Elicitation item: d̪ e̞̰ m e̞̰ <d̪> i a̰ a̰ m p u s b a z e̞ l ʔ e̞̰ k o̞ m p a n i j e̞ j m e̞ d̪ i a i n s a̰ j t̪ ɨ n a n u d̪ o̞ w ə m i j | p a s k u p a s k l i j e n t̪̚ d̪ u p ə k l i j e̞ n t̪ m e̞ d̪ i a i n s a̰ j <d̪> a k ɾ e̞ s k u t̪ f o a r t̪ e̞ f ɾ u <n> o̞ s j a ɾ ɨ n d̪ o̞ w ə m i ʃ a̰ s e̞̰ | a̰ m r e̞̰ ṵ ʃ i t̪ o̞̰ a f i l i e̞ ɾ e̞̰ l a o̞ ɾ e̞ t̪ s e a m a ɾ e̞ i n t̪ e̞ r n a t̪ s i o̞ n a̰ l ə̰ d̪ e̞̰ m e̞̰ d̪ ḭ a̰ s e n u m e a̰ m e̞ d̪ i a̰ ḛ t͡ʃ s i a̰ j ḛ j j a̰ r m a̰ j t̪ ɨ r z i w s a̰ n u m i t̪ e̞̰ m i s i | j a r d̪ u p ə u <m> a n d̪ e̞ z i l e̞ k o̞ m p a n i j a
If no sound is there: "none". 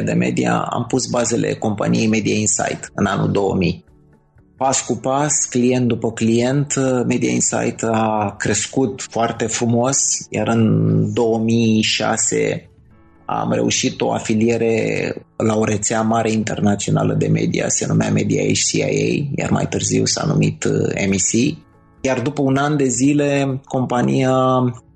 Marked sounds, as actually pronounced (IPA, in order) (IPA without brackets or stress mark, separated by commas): d̪, t̪, m, n